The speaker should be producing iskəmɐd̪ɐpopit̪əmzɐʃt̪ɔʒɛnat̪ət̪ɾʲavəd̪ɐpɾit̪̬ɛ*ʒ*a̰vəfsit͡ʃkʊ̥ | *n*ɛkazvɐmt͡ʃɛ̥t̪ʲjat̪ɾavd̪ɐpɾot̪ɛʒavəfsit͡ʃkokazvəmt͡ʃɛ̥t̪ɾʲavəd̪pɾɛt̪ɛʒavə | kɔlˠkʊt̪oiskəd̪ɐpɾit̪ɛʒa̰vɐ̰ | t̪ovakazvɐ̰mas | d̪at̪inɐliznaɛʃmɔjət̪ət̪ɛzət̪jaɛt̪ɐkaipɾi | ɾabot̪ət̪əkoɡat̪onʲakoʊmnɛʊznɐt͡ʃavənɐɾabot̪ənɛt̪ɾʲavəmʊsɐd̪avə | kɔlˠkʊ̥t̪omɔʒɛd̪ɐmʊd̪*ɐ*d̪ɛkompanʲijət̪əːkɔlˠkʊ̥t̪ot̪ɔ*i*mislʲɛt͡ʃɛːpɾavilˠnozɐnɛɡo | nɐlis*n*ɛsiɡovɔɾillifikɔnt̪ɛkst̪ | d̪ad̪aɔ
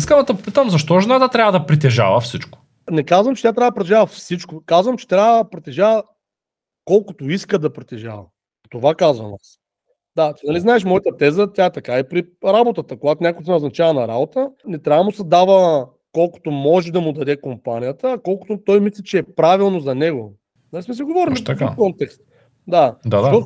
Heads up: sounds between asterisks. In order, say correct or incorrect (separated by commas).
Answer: correct, correct, correct, incorrect, incorrect